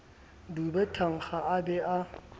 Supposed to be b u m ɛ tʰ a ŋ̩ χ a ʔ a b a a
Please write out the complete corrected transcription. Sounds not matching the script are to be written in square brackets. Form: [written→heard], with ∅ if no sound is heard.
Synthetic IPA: [b→d] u [m→b] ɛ tʰ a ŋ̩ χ a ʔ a b [a→ɛ] a